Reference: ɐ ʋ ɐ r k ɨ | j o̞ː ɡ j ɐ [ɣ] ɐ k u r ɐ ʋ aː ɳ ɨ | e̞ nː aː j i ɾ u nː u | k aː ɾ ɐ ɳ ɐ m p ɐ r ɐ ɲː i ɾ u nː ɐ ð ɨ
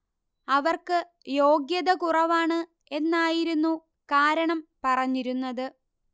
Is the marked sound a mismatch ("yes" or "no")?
yes